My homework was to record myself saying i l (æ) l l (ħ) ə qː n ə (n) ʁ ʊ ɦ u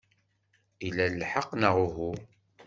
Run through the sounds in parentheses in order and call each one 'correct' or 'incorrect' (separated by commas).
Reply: correct, correct, incorrect